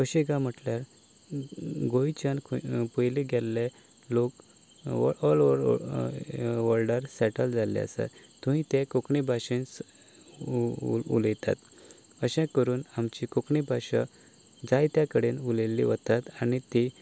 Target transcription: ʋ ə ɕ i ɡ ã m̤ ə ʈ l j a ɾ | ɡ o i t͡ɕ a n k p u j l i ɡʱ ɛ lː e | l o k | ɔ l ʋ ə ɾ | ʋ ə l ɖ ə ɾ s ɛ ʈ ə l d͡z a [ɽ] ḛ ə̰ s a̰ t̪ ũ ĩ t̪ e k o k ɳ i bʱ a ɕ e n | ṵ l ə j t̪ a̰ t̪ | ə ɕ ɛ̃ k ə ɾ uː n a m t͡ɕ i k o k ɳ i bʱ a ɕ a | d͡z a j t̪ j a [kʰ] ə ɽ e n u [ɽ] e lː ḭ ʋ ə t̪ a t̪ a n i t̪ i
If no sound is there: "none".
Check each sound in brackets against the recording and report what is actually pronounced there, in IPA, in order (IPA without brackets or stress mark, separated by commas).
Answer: l, k, l